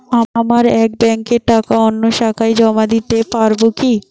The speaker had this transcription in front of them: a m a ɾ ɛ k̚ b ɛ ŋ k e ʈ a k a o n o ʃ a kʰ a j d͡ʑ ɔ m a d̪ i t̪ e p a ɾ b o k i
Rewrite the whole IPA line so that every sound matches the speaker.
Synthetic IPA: a m a ɾ ɛ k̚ b ɛ ŋ k e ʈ a k a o nː o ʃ a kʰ a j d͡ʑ ɔ m a d̪ i t̪ e p a ɾ b o k i